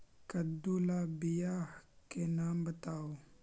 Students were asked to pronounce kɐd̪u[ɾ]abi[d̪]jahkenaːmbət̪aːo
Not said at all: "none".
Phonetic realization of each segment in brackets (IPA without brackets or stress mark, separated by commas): l, none